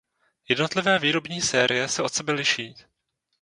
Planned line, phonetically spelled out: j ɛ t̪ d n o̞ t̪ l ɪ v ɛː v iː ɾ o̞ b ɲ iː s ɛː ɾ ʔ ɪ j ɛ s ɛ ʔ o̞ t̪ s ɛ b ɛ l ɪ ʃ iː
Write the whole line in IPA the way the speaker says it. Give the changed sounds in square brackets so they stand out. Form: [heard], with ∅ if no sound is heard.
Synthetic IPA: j ɛ [∅] d n o̞ t̪ l ɪ v ɛː v iː ɾ o̞ b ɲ iː s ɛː ɾ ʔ ɪ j ɛ s ɛ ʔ o̞ t̪ s ɛ b ɛ l ɪ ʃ iː